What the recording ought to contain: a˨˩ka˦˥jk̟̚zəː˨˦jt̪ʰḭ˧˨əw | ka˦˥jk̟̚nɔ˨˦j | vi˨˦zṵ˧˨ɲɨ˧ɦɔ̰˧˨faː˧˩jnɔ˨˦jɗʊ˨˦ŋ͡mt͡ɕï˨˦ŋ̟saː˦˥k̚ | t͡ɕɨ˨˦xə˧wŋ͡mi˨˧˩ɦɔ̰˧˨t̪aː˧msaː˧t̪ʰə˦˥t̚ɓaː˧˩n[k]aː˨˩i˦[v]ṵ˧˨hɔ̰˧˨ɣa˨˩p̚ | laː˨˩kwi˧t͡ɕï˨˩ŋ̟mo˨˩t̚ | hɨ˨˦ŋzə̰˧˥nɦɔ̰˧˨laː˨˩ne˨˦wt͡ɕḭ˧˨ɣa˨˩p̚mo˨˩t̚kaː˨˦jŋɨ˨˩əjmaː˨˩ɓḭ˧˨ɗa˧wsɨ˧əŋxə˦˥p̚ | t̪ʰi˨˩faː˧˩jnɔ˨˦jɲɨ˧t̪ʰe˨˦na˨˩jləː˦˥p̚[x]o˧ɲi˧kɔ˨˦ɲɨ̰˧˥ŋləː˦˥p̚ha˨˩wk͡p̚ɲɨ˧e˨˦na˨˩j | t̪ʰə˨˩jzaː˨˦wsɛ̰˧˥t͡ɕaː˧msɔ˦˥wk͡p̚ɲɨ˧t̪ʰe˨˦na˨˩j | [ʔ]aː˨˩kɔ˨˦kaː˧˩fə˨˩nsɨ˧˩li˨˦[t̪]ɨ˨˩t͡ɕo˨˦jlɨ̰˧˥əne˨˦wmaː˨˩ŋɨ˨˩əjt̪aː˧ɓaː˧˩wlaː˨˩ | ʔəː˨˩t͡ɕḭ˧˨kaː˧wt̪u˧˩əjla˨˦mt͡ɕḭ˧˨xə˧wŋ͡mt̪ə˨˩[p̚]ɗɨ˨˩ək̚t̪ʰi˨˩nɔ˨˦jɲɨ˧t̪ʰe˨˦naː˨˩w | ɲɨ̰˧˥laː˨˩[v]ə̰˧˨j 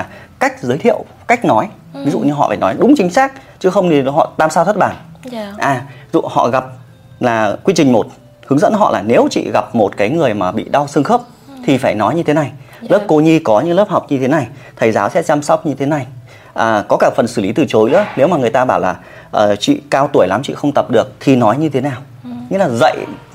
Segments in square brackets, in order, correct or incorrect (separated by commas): incorrect, incorrect, incorrect, correct, correct, correct, incorrect